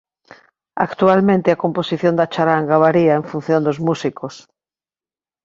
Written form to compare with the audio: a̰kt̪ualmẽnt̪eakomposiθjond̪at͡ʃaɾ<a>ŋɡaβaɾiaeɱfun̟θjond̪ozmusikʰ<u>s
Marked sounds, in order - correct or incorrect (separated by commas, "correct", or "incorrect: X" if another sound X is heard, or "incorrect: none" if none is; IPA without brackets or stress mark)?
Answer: correct, incorrect: o